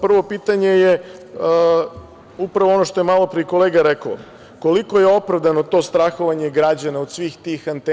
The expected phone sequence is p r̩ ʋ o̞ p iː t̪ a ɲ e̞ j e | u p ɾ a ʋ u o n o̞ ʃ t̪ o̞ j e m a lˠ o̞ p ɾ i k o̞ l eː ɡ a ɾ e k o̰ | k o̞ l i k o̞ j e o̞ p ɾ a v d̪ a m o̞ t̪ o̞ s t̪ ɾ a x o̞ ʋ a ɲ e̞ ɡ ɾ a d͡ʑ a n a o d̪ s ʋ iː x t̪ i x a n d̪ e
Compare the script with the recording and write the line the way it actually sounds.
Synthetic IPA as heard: p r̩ ʋ o̞ p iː t̪ a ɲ e̞ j e | u p ɾ a ʋ o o n o̞ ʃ t̪ o̞ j e m a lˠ o̞ p ɾ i k o̞ l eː ɡ a ɾ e k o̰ | k o̞ l i k o̞ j e o̞ p ɾ a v d̪ a n o̞ t̪ o̞ s t̪ ɾ a x o̞ ʋ a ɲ e̞ ɡ ɾ a d͡ʑ a n a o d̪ s ʋ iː x t̪ i x a n t̪ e

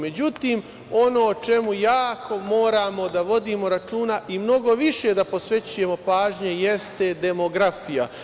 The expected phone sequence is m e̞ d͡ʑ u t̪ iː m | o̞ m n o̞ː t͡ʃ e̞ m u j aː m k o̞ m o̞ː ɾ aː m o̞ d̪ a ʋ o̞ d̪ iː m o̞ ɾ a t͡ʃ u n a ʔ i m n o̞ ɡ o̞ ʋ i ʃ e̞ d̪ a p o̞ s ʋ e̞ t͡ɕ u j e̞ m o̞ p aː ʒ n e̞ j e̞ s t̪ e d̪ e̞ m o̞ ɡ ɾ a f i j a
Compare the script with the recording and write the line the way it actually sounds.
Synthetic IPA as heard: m e̞ d͡ʑ u t̪ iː m | o̞ n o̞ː t͡ʃ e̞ m u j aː k o̞ m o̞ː ɾ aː m o̞ d̪ a ʋ o̞ d̪ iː m o̞ ɾ a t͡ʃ uː n a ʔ i m n o̞ ɡ o̞ ʋ i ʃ e̞ d̪ a p o̞ s ʋ e̞ t͡ɕ u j e̞ m o̞ p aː ʒ ɲ e̞ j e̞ s t̪ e d̪ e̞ m o̞ ɡ ɾ a f i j a

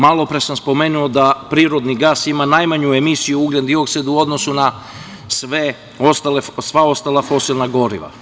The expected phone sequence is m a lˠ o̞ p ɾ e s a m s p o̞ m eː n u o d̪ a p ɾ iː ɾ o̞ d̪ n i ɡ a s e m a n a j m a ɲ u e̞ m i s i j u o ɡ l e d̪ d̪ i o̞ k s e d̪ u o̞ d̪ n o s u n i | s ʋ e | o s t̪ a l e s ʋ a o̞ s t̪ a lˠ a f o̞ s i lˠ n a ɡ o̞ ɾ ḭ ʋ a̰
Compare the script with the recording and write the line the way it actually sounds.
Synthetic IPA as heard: m a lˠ o̞ p ɾ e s a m s p o̞ m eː n u o d̪ a p ɾ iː ɾ o̞ d̪ n i ɡ a s i m a n a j m a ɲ u e̞ m i s i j u u ɡ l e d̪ d̪ i o̞ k s e d̪ u o̞ d̪ n o s u n a | s ʋ e | o s t̪ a l e s ʋ a o̞ s t̪ a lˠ a f o̞ s i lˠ n a ɡ o̞ ɾ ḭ ʋ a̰

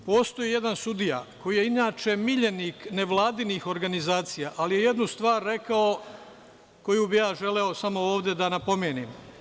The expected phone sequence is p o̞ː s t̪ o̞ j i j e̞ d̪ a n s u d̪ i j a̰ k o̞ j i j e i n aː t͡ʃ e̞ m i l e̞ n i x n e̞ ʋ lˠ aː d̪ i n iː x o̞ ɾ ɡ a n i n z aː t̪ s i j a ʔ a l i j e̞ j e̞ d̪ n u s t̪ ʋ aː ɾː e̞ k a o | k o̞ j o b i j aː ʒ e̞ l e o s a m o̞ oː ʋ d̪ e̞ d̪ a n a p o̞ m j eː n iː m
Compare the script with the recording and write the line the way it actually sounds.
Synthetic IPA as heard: p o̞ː s t̪ o̞ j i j e̞ d̪ a n s u d̪ i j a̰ k o̞ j i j e i n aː t͡ʃ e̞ m i ʎ e̞ n i k n e̞ ʋ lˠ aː d̪ i n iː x o̞ ɾ ɡ a n i z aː t̪ s i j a ʔ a l i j e̞ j e̞ d̪ n u s t̪ ʋ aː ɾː e̞ k a o | k o̞ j u b i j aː ʒ e̞ l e o s a m o̞ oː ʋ d̪ e̞ d̪ a n a p o̞ m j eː n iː m

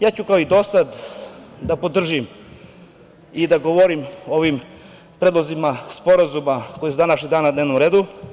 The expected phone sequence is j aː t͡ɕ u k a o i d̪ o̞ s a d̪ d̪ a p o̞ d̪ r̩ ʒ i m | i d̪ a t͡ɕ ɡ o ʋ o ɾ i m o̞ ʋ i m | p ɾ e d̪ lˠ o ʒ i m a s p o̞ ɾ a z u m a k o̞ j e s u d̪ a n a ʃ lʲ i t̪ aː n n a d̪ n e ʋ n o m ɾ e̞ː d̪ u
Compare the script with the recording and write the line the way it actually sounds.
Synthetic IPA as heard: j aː t͡ɕ u k a o i d̪ o̞ s a d̪ d̪ a p o̞ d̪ r̩ ʒ i m | i d̪ a ɡ o ʋ o ɾ i m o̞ ʋ i m | p ɾ e d̪ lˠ o z i m a s p o̞ ɾ a z u m a k o̞ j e s u d̪ a n a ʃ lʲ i d̪ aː n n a d̪ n e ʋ n o m ɾ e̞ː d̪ u

